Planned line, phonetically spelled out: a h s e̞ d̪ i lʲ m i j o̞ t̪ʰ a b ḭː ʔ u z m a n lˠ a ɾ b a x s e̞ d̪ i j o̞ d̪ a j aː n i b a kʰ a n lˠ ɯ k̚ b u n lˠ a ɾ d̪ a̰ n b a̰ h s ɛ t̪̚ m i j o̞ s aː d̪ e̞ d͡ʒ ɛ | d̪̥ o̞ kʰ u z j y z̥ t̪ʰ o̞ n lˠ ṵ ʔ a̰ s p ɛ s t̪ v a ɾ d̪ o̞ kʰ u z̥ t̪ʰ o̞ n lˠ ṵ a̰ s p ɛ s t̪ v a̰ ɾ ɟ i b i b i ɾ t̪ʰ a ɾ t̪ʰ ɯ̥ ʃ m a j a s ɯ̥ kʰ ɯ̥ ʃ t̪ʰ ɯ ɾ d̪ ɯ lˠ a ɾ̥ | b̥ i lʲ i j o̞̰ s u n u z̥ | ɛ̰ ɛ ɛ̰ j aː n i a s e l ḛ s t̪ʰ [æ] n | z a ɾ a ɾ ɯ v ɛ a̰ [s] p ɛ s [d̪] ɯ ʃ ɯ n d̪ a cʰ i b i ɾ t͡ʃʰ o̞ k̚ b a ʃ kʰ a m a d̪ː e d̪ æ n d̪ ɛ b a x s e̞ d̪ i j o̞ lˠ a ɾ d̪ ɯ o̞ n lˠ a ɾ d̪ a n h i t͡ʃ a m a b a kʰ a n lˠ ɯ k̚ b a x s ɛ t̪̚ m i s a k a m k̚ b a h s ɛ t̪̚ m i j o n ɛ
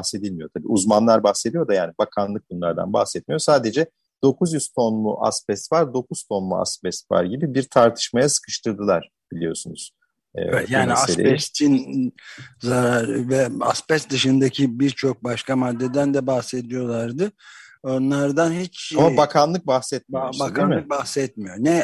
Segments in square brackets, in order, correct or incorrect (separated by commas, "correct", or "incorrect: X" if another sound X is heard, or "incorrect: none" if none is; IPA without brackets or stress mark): incorrect: i, correct, correct